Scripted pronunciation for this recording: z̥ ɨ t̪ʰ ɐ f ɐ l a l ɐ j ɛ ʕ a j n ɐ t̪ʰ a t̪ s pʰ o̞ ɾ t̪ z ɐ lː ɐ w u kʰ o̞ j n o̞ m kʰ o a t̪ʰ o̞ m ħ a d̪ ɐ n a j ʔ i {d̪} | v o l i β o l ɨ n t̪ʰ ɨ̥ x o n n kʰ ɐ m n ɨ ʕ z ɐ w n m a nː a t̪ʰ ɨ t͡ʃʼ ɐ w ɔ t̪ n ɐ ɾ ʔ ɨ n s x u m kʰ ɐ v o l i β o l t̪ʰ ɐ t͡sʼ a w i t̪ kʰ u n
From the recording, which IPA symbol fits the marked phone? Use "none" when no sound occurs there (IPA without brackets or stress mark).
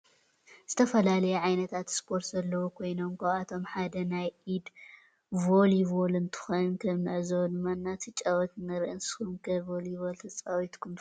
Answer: d̪